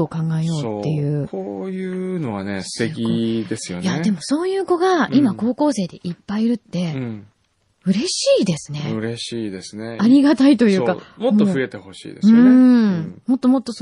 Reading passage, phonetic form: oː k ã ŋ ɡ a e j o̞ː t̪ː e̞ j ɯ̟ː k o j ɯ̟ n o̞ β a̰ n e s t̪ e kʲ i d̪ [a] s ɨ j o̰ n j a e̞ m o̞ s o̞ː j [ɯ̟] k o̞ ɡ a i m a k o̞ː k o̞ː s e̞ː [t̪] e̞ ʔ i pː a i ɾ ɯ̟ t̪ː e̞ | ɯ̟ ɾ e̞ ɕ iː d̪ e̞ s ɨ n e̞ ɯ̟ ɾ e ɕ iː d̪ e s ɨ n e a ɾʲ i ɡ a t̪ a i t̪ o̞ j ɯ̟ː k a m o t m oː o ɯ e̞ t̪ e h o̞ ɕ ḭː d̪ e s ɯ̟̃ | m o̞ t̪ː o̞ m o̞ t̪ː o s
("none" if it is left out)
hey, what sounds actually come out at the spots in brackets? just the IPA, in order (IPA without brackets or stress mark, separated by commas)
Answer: e, ɯ̟ː, d̪